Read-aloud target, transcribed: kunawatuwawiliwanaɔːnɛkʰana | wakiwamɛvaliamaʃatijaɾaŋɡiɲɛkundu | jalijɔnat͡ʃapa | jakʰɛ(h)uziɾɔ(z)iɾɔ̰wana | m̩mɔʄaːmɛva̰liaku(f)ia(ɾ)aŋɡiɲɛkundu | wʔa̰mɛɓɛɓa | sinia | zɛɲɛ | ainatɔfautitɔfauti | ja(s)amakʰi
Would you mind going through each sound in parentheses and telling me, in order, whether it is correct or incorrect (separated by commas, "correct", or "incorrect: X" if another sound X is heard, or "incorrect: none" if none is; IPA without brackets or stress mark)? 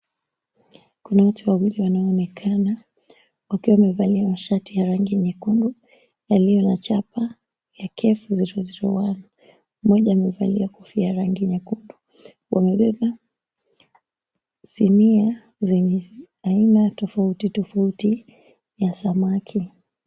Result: incorrect: f, correct, correct, correct, correct